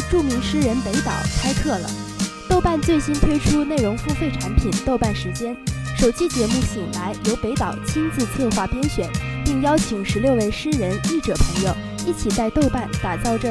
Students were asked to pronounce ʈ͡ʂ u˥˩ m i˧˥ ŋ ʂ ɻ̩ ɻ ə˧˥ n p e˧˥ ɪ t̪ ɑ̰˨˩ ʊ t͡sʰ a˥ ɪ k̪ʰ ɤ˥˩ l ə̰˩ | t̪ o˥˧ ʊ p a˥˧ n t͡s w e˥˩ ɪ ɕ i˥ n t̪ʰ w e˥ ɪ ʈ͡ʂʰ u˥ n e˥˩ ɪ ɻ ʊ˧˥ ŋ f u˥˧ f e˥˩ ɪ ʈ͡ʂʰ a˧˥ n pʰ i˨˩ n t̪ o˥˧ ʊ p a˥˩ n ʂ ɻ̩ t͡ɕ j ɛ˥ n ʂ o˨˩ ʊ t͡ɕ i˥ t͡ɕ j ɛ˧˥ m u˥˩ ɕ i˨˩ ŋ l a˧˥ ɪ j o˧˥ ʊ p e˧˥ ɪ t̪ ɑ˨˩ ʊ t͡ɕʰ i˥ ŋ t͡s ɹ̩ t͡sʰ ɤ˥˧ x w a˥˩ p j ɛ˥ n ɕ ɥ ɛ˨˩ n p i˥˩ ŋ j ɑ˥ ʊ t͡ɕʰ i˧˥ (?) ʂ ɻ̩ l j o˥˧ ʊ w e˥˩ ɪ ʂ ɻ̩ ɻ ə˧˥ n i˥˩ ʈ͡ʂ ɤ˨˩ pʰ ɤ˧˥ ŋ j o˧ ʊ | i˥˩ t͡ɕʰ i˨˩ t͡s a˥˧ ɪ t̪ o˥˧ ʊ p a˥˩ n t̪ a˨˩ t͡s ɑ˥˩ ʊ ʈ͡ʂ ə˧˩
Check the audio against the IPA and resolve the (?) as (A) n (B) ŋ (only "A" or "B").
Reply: B